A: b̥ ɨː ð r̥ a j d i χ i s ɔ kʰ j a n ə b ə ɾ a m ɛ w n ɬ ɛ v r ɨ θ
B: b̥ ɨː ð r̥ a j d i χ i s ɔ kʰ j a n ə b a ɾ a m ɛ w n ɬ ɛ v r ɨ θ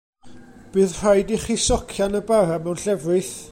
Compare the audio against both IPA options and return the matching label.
B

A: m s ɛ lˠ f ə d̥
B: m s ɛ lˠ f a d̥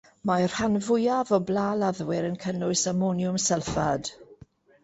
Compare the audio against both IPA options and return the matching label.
B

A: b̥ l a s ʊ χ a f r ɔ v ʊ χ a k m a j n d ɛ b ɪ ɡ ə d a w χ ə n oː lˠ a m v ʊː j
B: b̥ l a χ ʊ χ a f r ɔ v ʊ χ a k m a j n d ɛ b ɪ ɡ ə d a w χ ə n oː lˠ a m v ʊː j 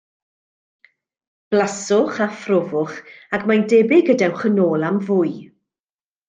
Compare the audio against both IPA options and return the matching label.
A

